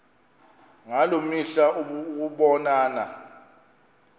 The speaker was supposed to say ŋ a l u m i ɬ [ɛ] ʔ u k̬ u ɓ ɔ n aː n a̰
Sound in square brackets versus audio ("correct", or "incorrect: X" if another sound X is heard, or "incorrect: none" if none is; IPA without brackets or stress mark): incorrect: a